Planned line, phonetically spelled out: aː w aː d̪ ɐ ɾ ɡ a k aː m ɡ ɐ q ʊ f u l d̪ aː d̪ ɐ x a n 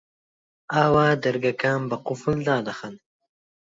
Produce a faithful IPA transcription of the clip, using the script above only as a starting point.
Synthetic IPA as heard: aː w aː d̪ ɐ ɾ ɡ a k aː m b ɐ q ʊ f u l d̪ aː d̪ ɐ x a n